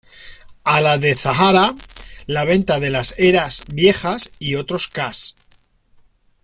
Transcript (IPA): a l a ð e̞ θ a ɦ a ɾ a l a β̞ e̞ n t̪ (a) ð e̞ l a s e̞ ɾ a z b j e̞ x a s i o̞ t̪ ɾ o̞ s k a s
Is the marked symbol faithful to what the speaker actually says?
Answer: yes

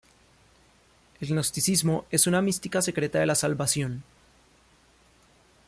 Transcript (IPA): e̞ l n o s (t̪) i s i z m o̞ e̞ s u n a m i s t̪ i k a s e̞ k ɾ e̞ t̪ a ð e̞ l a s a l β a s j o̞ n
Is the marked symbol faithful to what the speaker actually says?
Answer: yes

